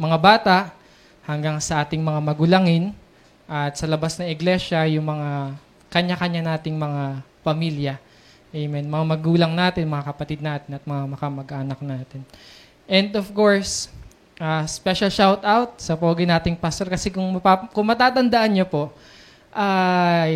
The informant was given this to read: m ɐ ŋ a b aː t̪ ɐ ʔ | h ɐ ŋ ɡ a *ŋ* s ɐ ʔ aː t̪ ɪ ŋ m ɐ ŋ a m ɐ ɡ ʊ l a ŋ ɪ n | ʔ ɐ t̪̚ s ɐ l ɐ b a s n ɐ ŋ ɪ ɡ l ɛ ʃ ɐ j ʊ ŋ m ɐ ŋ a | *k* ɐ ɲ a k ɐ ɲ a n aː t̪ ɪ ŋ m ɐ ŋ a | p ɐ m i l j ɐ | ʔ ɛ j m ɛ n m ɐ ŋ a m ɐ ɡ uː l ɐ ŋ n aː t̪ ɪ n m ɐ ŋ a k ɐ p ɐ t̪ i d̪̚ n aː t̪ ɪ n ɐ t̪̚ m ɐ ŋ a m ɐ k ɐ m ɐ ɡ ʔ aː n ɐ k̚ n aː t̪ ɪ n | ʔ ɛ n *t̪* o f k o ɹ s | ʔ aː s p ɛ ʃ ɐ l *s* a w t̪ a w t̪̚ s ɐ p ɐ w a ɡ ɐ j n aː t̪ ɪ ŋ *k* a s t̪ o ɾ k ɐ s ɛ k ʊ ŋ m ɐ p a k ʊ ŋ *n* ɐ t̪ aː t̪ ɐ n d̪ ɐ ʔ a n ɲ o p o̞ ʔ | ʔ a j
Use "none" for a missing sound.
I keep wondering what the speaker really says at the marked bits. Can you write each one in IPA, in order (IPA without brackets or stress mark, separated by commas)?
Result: ŋ, k, d̪, ʃ, p, m